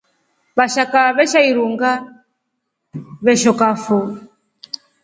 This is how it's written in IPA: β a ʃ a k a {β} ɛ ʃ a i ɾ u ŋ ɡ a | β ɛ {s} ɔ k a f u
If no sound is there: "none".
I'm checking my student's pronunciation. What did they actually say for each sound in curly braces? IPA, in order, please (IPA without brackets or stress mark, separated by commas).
β, ʃ